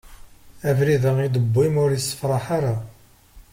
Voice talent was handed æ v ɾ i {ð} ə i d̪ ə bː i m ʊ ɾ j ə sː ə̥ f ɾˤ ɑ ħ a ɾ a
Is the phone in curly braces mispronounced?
no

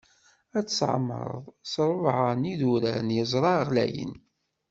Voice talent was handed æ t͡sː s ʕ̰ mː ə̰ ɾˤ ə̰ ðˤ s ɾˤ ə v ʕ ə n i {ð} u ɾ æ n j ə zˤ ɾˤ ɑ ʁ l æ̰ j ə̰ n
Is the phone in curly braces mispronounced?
no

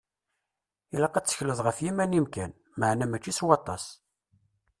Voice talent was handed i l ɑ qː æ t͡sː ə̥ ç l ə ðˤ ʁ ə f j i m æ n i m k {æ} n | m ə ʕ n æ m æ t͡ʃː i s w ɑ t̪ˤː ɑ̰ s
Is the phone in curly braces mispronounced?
no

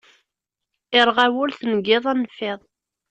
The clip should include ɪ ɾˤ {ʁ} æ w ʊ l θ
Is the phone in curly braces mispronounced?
no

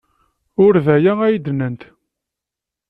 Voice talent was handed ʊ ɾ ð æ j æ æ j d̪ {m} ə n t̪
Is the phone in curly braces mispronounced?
yes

